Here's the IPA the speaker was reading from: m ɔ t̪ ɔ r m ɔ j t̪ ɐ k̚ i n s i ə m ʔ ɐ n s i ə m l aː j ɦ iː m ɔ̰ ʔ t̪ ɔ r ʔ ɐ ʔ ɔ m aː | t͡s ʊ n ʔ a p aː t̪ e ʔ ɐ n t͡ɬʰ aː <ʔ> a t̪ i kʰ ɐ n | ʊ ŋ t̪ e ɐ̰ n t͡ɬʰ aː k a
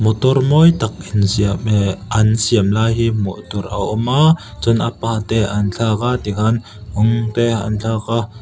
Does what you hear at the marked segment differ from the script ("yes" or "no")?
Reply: yes